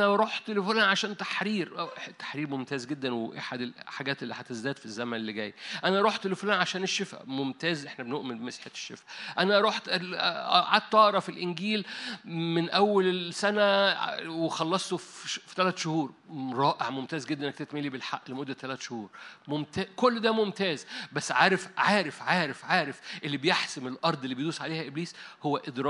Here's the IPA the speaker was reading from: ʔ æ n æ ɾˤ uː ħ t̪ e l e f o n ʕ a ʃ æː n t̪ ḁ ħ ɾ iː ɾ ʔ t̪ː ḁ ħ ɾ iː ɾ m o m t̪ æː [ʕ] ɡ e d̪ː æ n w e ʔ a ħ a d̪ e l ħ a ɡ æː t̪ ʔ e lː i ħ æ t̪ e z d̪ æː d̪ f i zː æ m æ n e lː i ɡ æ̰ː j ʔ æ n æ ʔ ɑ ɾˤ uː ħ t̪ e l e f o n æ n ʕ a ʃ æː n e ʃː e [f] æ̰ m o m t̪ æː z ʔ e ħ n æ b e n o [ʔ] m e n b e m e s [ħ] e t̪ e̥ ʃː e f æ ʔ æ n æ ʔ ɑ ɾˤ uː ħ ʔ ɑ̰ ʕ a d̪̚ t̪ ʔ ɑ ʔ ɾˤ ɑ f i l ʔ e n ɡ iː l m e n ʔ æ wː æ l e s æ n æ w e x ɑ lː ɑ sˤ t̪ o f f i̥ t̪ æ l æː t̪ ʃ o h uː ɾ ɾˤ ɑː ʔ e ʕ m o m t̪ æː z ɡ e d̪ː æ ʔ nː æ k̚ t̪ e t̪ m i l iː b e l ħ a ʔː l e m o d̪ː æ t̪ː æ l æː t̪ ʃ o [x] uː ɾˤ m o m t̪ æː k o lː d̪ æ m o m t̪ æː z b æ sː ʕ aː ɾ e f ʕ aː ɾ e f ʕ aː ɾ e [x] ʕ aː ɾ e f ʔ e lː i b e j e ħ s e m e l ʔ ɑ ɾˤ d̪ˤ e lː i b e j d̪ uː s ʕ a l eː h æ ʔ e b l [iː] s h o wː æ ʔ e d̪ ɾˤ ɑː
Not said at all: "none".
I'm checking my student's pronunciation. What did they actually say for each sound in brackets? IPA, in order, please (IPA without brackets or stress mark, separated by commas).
z, f, ʔ, ħ, h, f, iː